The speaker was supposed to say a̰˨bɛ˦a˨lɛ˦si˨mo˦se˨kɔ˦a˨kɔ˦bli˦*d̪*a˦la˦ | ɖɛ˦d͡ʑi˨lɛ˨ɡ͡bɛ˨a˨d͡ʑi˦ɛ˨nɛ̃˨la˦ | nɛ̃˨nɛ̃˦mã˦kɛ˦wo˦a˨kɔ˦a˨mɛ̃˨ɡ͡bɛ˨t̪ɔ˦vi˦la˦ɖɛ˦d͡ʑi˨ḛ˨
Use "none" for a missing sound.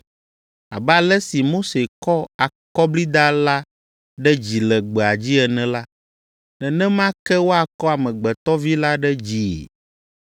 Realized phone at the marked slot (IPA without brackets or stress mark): d̪